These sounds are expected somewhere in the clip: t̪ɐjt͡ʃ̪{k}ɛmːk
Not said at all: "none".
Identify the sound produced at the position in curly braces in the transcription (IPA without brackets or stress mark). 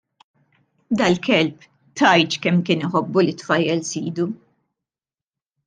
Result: k